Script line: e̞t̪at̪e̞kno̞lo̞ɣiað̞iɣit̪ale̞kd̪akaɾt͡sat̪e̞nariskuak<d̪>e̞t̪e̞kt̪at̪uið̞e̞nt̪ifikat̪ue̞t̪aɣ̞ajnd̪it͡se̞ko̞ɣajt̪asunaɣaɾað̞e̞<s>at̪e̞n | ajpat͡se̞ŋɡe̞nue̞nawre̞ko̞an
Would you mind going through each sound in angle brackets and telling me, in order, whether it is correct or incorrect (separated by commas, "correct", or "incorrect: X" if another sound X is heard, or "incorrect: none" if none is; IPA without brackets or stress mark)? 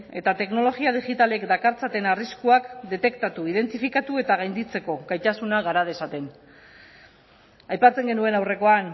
correct, correct